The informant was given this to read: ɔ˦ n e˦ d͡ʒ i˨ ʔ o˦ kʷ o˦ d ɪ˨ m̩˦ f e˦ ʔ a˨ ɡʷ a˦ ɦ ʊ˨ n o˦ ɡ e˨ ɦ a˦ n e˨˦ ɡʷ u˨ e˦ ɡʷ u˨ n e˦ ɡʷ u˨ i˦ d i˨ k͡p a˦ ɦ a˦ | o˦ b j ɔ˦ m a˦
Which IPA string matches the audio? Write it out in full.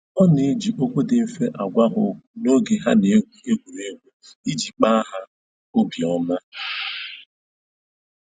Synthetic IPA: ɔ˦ n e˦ d͡ʒ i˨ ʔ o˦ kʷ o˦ d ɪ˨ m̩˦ f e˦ ʔ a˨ ɡʷ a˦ ɦ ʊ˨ n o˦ ɡ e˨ ɦ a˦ n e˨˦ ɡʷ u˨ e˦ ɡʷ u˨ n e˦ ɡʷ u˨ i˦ d͡ʒ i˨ k͡p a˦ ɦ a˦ | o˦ b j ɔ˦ m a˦